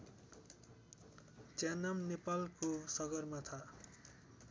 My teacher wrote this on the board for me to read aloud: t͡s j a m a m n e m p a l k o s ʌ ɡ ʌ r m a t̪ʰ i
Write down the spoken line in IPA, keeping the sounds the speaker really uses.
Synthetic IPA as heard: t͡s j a n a m n e p a l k o s ʌ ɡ ʌ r m a t̪ʰ a